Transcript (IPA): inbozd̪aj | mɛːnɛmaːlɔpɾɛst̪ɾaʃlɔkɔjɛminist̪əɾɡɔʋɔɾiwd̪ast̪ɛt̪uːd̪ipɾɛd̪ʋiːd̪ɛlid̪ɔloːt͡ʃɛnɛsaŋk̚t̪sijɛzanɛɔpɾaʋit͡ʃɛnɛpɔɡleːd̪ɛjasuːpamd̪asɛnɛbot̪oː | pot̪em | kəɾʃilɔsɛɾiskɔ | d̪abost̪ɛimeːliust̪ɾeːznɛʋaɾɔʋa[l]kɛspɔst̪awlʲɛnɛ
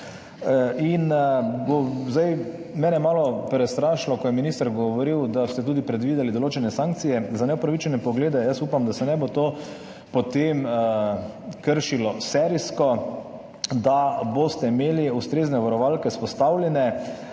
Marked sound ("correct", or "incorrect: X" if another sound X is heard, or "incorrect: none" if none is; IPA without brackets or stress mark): correct